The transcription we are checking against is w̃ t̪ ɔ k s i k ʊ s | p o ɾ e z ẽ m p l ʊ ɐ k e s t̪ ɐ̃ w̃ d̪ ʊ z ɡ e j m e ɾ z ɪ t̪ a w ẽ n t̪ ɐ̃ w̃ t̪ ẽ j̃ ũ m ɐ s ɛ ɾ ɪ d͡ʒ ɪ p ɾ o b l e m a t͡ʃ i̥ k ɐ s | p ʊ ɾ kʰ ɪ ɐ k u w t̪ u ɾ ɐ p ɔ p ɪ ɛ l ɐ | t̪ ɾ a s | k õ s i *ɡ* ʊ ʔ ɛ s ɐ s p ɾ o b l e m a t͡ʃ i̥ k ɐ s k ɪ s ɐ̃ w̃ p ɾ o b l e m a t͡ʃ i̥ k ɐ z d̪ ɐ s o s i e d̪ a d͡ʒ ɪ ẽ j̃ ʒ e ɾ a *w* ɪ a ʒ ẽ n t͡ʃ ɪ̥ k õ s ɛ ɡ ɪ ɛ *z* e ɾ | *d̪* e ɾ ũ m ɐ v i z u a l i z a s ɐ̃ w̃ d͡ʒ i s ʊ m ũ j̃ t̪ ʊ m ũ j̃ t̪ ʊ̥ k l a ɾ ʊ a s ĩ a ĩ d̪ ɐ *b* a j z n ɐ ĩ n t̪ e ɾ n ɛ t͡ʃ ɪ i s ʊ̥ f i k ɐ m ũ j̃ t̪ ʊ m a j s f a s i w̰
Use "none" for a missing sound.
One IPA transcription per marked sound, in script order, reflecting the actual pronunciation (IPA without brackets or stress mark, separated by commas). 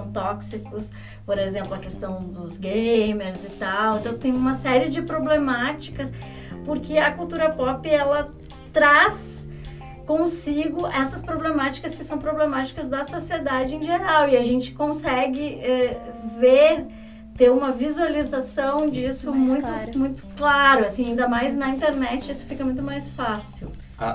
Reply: ɡ, w, v, t̪, m